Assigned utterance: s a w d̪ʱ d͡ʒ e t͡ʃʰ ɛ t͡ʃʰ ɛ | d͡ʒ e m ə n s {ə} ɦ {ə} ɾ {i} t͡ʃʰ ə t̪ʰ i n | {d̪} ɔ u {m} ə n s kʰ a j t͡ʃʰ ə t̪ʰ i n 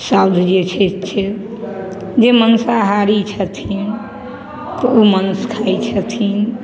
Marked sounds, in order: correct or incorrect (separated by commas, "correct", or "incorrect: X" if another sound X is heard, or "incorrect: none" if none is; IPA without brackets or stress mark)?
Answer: incorrect: a, incorrect: a, correct, incorrect: t̪, correct